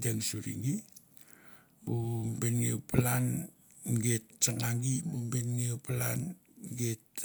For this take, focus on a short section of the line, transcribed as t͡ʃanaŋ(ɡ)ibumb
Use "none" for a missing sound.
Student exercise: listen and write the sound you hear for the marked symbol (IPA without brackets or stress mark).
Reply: ɡ